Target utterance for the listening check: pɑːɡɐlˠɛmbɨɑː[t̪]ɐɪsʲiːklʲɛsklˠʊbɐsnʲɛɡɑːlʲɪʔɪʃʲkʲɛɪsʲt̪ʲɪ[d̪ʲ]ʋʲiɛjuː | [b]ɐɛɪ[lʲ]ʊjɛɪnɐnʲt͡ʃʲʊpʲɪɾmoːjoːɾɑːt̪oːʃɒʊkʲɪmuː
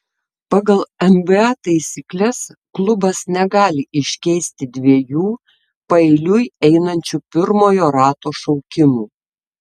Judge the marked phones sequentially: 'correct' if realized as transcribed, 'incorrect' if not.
correct, correct, incorrect: p, correct

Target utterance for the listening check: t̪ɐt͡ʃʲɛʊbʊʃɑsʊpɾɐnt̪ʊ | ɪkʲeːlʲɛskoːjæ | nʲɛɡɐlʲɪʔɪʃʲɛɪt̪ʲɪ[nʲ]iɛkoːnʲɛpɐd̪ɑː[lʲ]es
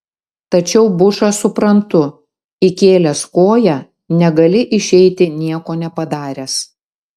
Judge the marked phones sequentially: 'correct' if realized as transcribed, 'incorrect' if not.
correct, incorrect: ɾʲ

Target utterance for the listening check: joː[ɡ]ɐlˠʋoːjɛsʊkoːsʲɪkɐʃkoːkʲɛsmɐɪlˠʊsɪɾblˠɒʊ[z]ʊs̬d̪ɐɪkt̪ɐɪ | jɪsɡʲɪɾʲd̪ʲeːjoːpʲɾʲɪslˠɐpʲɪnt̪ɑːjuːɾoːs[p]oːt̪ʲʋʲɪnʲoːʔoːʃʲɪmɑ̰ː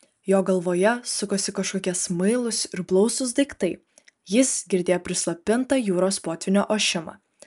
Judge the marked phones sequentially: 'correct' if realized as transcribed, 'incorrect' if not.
correct, incorrect: s, correct

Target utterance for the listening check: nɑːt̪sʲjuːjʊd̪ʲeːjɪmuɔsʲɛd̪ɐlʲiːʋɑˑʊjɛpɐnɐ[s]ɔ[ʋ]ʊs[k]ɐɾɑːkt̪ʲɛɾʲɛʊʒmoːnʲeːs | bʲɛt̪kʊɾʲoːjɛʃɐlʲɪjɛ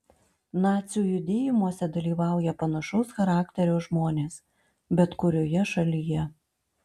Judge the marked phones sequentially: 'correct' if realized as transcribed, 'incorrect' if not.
incorrect: ʃ, incorrect: none, incorrect: x

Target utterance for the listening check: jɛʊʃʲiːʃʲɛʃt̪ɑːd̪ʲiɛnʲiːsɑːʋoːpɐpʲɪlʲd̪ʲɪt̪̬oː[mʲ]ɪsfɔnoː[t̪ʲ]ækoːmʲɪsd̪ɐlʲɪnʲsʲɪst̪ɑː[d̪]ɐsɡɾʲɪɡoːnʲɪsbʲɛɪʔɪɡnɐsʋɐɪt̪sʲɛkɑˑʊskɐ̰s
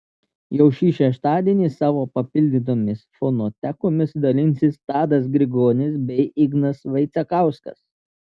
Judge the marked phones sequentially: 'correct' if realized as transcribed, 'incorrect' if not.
correct, correct, correct

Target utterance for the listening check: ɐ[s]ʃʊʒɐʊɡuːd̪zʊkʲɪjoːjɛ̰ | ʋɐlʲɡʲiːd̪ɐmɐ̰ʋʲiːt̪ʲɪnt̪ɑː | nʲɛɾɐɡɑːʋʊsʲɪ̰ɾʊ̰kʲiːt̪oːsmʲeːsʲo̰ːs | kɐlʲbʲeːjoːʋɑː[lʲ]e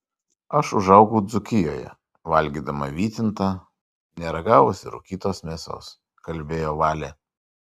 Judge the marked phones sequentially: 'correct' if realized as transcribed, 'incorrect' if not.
incorrect: none, correct

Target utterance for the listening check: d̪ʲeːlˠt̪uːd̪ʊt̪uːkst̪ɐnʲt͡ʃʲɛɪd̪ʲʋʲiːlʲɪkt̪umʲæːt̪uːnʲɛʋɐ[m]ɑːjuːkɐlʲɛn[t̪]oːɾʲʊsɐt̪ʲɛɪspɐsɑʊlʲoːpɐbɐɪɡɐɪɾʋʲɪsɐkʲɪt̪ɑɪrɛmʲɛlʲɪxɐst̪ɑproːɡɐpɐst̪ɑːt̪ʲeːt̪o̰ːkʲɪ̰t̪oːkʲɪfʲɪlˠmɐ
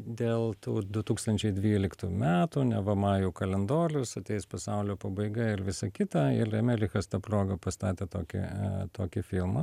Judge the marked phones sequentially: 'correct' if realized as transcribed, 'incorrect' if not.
correct, incorrect: d̪

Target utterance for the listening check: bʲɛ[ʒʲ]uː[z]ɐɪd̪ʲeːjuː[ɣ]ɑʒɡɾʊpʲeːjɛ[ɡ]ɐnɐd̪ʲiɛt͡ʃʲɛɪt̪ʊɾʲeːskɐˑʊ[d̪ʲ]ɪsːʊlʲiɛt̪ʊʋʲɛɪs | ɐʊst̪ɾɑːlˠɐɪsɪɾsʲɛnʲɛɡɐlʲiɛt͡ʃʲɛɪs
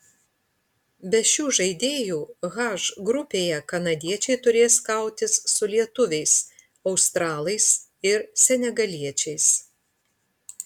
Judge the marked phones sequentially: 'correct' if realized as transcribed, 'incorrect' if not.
incorrect: ʃʲ, incorrect: ʒ, correct, incorrect: k, incorrect: t̪ʲ

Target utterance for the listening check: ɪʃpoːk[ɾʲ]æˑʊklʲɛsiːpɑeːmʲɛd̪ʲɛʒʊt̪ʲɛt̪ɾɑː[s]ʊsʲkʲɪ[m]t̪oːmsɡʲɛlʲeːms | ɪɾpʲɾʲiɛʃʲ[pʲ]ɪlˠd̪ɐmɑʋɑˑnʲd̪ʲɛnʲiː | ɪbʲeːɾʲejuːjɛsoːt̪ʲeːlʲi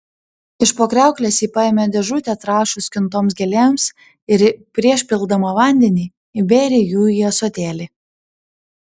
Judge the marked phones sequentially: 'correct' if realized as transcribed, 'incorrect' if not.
correct, incorrect: ʃ, incorrect: n, correct

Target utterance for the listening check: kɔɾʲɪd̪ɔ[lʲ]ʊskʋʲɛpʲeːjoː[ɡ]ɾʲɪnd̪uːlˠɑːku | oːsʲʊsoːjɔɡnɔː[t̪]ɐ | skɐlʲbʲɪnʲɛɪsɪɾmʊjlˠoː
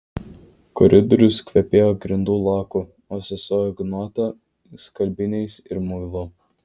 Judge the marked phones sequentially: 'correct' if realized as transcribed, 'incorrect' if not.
incorrect: ɾʲ, correct, correct

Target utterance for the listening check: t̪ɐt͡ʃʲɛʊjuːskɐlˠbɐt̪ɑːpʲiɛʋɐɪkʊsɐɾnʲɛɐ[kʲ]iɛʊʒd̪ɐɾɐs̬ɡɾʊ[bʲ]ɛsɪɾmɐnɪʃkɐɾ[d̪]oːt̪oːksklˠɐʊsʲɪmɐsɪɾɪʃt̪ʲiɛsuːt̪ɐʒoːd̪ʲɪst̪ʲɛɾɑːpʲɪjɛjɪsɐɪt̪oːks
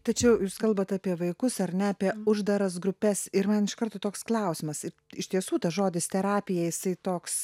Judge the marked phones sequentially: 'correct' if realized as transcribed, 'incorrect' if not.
incorrect: pʲ, incorrect: pʲ, incorrect: t̪

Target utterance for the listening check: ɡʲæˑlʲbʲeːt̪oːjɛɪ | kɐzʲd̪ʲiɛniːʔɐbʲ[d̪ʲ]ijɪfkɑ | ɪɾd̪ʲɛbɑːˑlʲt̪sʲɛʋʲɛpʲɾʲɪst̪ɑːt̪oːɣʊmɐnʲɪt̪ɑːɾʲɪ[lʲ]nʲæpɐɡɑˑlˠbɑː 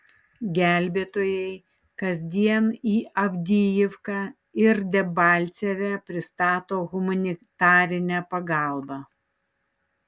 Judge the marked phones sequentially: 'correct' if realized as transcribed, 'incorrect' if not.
correct, incorrect: none

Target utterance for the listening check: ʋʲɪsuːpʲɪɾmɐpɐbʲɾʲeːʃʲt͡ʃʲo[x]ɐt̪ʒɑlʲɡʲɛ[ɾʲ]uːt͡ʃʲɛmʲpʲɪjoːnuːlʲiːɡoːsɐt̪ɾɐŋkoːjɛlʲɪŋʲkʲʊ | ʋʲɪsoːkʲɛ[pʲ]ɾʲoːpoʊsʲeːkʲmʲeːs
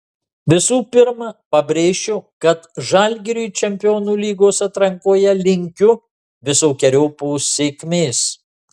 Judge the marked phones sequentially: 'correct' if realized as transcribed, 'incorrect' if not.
incorrect: k, correct, incorrect: none

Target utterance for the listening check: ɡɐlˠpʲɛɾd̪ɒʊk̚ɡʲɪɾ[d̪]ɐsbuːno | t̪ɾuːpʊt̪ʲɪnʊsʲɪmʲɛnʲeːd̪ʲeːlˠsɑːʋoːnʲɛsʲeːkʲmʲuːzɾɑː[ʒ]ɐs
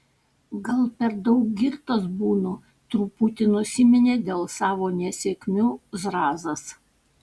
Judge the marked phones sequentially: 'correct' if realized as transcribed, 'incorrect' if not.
incorrect: t̪, incorrect: z

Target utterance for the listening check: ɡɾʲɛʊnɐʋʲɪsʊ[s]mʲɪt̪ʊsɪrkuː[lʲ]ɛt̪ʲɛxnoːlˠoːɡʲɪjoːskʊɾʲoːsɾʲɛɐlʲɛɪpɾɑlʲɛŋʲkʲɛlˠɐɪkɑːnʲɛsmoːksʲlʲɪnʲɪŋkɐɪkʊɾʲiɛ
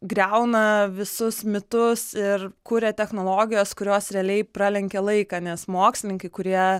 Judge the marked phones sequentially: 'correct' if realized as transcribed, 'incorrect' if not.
correct, incorrect: ɾʲ

